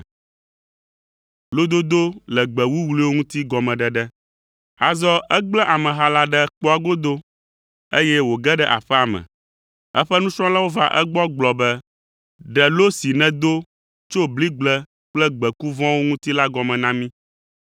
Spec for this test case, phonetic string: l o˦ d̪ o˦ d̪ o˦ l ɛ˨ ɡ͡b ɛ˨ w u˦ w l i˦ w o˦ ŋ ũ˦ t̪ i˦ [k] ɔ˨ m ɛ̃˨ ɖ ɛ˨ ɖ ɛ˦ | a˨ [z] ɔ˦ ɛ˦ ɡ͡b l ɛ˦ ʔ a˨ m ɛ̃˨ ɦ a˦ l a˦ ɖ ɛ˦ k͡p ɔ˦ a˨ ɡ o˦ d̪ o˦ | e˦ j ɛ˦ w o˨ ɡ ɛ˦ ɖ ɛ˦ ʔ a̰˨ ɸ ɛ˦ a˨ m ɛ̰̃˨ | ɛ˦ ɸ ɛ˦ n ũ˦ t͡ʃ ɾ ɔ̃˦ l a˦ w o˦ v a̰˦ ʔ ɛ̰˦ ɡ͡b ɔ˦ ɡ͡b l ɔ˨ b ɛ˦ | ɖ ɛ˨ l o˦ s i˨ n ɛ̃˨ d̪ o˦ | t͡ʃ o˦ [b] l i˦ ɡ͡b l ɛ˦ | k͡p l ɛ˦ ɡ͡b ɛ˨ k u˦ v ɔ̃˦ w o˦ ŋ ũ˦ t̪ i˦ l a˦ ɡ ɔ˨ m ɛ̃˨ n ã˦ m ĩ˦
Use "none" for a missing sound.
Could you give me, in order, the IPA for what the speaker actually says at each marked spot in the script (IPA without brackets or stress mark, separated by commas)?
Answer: ɡ, z, b